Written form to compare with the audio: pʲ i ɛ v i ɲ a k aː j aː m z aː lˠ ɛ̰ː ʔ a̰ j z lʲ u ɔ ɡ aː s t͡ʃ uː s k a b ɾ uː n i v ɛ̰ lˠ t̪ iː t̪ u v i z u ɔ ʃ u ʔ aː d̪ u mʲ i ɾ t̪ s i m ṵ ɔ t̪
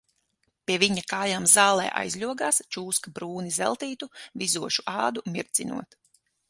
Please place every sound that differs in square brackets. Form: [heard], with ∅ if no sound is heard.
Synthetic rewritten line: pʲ i ɛ v i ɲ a k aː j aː m z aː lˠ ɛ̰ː ʔ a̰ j z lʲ u ɔ ɡ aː s t͡ʃ uː s k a b ɾ uː n i [z] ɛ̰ lˠ t̪ iː t̪ u v i z u ɔ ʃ u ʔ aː d̪ u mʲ i ɾ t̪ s i [n] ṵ ɔ t̪